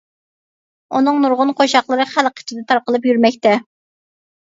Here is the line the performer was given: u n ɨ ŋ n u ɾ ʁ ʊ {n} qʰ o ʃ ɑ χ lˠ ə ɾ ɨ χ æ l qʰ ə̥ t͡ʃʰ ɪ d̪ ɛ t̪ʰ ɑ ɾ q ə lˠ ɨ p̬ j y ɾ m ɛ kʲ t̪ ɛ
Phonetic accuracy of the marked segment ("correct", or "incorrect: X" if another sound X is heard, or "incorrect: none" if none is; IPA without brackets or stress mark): correct